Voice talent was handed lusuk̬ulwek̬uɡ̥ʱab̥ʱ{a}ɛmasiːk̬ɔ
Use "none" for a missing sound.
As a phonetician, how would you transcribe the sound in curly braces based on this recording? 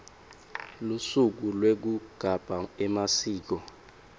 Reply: a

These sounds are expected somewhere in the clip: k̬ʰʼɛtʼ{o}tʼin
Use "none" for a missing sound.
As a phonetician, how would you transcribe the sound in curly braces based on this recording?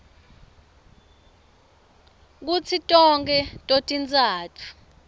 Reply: o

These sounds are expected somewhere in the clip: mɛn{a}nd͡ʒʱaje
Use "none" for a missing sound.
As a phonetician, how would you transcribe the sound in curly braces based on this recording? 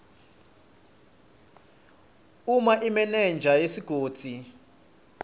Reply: ɛ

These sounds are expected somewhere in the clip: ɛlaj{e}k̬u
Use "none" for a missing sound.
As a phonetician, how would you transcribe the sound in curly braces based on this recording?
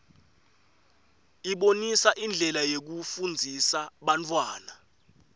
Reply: e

